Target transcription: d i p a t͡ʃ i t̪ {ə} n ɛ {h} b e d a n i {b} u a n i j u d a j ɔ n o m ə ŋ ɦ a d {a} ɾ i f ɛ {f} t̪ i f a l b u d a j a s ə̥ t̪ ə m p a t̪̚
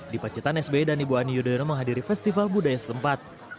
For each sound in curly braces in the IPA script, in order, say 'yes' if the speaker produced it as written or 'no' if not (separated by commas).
no, no, yes, no, no